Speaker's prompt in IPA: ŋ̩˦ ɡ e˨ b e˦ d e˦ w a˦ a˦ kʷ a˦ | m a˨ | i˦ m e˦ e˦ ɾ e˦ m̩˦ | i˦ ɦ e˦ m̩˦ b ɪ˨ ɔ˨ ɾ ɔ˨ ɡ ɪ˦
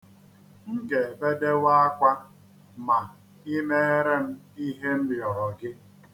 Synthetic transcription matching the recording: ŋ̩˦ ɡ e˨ b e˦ d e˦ w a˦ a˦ kʷ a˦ | m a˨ | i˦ m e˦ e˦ ɾ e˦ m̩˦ | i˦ ɦ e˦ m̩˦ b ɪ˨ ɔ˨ ɾ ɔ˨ ɡ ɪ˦